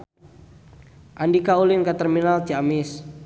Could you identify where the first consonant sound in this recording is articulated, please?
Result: glottal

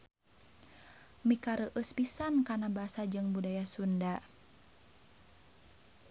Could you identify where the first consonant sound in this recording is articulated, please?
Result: labial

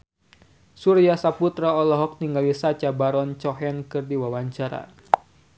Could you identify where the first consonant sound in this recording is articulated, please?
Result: alveolar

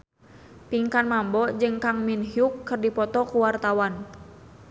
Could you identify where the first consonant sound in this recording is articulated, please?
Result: labial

